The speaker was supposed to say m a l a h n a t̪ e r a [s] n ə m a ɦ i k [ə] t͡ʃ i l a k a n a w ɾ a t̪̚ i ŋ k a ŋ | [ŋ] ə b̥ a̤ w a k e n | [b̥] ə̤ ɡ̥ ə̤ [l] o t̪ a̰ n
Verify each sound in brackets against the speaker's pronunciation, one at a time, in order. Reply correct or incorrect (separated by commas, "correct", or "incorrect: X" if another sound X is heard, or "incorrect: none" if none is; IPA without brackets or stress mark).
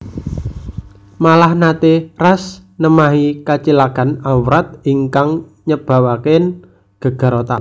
correct, incorrect: a, incorrect: ɲ, incorrect: ɡ̥, incorrect: ɾ